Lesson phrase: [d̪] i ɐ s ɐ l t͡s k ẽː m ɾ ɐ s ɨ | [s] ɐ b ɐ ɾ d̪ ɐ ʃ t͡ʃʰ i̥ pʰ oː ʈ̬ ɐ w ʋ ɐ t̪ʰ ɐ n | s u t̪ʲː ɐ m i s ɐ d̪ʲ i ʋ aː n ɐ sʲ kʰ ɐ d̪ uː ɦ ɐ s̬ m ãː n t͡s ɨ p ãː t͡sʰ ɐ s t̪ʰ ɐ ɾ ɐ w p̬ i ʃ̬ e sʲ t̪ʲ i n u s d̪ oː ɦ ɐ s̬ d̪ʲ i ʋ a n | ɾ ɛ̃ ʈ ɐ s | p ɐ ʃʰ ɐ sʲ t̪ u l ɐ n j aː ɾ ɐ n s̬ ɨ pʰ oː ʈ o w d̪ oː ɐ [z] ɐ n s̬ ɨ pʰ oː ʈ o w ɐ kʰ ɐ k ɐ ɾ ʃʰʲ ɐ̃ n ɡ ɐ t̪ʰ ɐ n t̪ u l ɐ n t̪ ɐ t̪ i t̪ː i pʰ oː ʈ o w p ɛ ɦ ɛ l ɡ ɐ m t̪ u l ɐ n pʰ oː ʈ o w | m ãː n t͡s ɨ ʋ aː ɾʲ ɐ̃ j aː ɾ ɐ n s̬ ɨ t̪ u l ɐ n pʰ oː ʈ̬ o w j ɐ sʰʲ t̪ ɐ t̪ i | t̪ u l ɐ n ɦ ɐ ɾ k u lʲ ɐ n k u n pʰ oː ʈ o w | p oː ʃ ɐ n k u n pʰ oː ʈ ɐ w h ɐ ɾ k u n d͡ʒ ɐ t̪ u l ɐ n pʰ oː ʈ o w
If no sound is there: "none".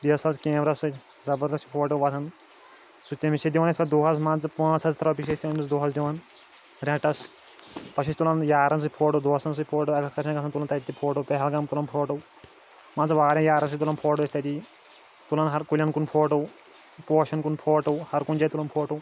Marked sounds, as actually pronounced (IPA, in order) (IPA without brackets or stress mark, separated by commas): d̪, z, s